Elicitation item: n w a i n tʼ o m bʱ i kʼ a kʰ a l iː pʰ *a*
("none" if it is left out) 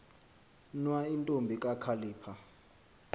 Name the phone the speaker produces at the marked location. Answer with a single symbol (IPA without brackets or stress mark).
a